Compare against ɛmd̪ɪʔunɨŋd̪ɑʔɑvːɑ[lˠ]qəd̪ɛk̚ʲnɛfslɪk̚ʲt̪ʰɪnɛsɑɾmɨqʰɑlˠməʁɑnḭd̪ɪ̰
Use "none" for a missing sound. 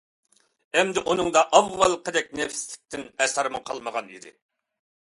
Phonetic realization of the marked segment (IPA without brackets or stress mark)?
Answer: lˠ